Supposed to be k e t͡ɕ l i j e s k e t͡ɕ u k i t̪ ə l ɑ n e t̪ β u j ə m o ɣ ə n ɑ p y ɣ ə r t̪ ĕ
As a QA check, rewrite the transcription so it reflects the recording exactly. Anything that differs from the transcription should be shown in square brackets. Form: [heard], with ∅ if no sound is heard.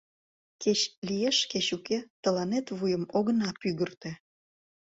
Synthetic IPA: k e t͡ɕ l i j e [ʃ] k e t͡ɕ u k [e] t̪ ə l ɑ n e t̪ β u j ə m o ɣ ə n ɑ p y ɣ ə r t̪ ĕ